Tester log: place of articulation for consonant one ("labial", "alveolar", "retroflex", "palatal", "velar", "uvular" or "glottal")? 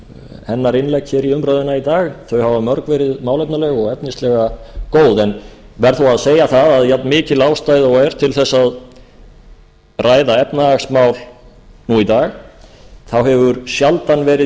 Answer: glottal